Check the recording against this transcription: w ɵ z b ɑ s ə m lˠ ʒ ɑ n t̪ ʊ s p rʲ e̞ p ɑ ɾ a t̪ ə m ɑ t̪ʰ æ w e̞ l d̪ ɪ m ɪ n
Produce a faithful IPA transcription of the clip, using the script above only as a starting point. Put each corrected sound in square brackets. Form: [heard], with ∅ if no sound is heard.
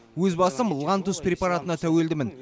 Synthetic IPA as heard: w ɵ z b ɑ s ə m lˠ [ʁ] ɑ n t̪ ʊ s p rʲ e̞ p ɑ ɾ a t̪ ə [n] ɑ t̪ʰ æ w e̞ l d̪ ɪ m ɪ n